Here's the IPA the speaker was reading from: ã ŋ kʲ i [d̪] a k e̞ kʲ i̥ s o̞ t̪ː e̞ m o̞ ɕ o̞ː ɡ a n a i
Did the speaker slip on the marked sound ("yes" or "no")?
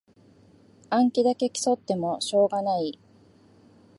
no